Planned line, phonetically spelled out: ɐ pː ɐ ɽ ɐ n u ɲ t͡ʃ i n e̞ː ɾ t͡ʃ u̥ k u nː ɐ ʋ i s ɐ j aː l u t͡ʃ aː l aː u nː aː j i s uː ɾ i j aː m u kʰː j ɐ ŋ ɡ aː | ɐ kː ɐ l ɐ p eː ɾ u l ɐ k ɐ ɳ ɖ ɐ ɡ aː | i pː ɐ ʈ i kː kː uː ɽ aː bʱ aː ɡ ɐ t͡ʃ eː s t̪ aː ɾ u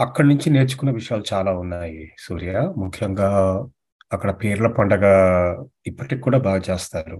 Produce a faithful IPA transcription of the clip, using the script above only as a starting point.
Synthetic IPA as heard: ɐ kː ɐ ɽ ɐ n u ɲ t͡ʃ i n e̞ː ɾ t͡ʃ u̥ k u nː ɐ ʋ i ʂ ɐ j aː l u t͡ʃ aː l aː u nː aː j i s uː ɾ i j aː m u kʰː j ɐ ŋ ɡ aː | ɐ kː ɐ ɽ ɐ p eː ɾ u l ɐ p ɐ ɳ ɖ ɐ ɡ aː | i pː ɐ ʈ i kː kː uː ɽ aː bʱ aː ɡ ɐ t͡ʃ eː s t̪ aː ɾ u